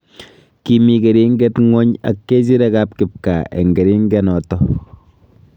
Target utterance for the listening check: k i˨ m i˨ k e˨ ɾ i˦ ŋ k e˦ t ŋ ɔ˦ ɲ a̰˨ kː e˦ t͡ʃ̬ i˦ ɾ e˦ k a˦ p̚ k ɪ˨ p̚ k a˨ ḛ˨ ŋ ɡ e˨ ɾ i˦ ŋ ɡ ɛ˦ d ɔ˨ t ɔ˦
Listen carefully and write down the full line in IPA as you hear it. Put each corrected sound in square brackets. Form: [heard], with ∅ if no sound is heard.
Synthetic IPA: k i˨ m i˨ k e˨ ɾ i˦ ŋ [ɡ] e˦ t ŋ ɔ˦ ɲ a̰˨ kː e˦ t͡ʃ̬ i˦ ɾ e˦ k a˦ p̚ k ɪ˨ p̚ k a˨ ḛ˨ ŋ ɡ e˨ ɾ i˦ ŋ ɡ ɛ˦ [n] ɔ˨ t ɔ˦